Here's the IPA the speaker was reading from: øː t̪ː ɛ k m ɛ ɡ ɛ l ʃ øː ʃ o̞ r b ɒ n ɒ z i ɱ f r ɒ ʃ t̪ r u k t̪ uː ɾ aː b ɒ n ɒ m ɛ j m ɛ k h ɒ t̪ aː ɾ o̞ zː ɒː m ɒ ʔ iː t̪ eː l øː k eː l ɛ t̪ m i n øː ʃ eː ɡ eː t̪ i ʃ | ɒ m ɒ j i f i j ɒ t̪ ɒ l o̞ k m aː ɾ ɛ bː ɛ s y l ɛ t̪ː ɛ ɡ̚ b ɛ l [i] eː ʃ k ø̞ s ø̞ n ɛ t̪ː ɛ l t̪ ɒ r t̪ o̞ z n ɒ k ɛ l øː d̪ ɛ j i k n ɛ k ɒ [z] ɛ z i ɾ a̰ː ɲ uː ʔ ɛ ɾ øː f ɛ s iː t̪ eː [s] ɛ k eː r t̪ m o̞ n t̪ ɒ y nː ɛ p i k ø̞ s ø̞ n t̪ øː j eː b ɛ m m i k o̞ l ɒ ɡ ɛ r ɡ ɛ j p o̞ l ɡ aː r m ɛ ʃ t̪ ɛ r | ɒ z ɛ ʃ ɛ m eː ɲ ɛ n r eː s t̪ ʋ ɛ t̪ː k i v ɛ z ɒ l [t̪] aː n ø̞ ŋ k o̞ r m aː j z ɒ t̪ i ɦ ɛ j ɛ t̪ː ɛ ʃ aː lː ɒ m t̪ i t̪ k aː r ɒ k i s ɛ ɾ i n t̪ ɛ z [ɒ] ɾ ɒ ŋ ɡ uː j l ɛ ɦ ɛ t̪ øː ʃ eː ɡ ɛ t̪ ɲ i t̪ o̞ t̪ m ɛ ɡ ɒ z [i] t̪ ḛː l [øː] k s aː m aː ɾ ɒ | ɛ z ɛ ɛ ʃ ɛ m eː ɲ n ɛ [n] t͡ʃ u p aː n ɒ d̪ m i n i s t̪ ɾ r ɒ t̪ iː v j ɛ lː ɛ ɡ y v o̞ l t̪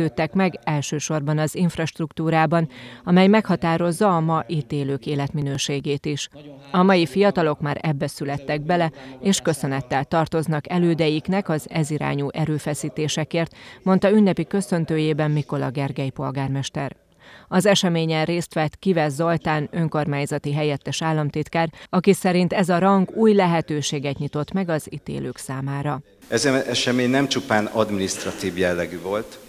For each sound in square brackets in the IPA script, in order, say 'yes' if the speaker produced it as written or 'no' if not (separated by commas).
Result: no, yes, no, yes, yes, yes, yes, no